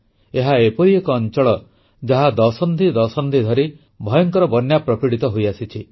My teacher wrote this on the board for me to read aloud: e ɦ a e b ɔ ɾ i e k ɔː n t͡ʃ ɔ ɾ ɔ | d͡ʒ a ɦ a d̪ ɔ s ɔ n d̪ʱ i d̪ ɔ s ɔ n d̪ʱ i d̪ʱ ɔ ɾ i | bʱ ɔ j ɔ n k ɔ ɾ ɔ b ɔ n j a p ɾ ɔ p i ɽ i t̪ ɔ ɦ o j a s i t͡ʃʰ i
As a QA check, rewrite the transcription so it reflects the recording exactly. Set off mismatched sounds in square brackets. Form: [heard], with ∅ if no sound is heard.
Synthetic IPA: e ɦ a e [p] ɔ ɾ i e k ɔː n t͡ʃ ɔ [ɭ] ɔ | d͡ʒ a ɦ a d̪ ɔ s ɔ n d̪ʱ i d̪ ɔ s ɔ n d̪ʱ i d̪ʱ ɔ ɾ i | bʱ ɔ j ɔ [ŋ] k ɔ ɾ ɔ b ɔ n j a p ɾ ɔ p i ɽ i t̪ ɔ ɦ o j a s i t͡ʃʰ i

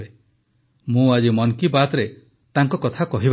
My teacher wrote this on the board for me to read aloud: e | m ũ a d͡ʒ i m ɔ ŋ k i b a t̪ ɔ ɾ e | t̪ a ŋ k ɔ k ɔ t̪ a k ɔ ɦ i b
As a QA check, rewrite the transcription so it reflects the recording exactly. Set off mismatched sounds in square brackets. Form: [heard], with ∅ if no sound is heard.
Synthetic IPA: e | m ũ a d͡ʒ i m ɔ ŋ k i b a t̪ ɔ ɾ e | t̪ a ŋ k ɔ k ɔ [t̪ʰ] a k ɔ ɦ i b

